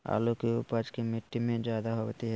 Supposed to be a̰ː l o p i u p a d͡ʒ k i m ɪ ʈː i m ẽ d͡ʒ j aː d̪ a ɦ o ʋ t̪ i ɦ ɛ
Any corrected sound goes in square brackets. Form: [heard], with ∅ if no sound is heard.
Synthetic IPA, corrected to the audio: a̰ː l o [k] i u p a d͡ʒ k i m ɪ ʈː i m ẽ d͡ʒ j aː d̪ a ɦ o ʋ t̪ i ɦ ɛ

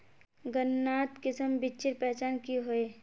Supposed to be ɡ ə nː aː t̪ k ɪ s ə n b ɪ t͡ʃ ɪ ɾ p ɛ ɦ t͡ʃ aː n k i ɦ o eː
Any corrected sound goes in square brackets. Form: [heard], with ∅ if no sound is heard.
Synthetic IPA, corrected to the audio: ɡ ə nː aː t̪ k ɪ s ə [m] b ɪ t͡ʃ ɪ ɾ p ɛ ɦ t͡ʃ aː n k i ɦ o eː

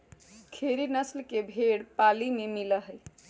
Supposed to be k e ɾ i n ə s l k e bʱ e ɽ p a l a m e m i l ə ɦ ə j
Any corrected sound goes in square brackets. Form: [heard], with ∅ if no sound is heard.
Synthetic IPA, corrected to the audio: [kʰ] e ɾ i n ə s l k e bʱ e ɽ p a l [i] m e m i l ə ɦ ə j

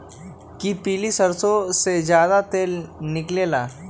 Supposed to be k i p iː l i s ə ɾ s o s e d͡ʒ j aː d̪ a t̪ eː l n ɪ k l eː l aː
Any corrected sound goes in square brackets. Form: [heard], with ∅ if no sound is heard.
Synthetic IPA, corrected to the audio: k i p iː l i s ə ɾ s o s e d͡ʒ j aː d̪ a t̪ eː l n ɪ k l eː l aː

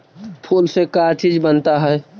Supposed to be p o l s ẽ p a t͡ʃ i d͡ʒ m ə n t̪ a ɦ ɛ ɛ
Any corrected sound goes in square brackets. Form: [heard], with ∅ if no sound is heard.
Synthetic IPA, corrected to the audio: [pʰ] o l s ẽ [k] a t͡ʃ i d͡ʒ [b] ə n t̪ a ɦ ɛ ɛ

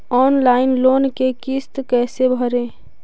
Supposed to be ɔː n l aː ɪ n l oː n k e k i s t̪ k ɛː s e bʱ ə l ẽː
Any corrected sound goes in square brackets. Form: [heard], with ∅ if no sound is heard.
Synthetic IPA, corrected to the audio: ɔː n l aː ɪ n l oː n k e k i s t̪ k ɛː s e bʱ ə [ɾ] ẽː

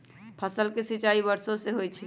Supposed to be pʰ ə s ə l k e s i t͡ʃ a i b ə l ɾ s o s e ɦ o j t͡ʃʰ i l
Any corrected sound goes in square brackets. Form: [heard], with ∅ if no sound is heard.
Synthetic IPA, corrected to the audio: pʰ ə s ə l k e s i t͡ʃ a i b ə [∅] ɾ s o s e ɦ o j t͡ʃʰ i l

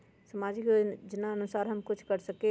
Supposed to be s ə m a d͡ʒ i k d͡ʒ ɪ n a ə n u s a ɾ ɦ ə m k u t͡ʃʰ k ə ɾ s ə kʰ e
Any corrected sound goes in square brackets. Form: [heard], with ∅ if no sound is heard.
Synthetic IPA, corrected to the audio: s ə m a d͡ʒ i k d͡ʒ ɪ n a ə n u s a ɾ ɦ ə m k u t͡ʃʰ k ə ɾ s ə [k] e

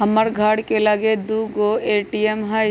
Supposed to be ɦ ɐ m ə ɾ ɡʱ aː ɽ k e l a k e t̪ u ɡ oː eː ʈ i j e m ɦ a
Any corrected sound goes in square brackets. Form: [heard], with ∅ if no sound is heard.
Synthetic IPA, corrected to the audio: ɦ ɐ m ə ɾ ɡʱ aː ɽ k e l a [ɡ] e [d̪] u ɡ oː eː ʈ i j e m ɦ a

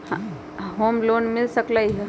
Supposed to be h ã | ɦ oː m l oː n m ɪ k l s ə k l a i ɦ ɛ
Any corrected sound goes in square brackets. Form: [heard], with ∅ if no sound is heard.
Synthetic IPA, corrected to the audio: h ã | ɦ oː m l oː n m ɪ [∅] l s ə k l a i ɦ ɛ

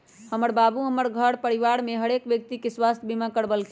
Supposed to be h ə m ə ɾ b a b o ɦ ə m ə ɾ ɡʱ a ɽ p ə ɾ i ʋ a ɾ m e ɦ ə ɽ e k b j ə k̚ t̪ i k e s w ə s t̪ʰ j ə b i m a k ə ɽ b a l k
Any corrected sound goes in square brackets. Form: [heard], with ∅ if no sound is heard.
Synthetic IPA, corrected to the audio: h ə m ə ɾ b a b [u] ɦ ə m ə ɾ ɡʱ [ə] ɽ p ə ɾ i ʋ a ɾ m e ɦ ə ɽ e k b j ə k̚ t̪ i k e s w [a] s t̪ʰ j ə b i m a k ə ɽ b [ə] l k

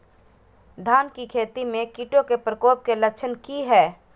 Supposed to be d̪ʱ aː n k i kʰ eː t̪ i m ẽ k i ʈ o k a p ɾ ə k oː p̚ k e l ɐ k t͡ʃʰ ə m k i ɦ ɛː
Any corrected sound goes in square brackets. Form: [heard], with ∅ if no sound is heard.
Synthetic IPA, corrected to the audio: d̪ʱ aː n k i kʰ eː t̪ i m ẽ k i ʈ o k [e] p ɾ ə k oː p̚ k e l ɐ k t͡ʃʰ ə [n] k i ɦ ɛː

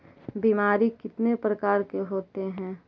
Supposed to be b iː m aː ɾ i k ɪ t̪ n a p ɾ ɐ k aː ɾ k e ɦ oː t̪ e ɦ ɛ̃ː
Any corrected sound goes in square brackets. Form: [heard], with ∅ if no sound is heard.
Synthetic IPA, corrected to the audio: b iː m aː ɾ i k ɪ t̪ n [e] p ɾ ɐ k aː ɾ k e ɦ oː t̪ e ɦ ɛ̃ː

